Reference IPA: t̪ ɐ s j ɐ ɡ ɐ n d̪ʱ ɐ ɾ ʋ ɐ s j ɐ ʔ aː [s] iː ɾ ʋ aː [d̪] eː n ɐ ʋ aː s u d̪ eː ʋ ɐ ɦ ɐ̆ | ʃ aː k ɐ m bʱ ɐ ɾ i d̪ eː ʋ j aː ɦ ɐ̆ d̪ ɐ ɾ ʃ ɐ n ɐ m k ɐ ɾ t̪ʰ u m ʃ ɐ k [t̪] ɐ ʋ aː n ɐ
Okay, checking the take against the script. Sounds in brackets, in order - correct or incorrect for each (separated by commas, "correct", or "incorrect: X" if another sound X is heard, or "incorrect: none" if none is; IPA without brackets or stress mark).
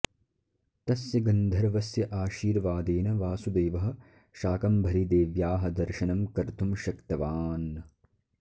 incorrect: ʃ, correct, correct